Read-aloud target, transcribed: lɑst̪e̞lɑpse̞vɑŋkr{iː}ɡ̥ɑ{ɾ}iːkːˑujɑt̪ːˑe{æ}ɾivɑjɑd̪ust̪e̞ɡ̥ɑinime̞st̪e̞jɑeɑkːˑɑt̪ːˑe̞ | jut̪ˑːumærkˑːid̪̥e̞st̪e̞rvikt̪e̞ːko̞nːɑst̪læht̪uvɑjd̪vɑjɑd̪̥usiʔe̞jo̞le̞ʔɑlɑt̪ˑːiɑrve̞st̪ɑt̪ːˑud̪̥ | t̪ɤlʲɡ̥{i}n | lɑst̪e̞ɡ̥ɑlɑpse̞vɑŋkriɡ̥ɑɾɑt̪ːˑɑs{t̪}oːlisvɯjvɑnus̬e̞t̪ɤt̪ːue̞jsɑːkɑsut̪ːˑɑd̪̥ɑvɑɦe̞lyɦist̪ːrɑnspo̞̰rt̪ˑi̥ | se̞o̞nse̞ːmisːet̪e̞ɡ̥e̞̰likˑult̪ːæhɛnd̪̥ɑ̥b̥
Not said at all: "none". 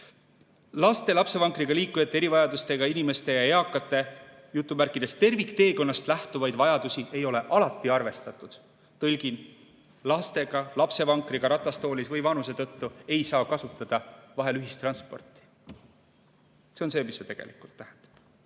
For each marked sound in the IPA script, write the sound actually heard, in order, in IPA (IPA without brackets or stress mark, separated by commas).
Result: i, l, e, i, t̪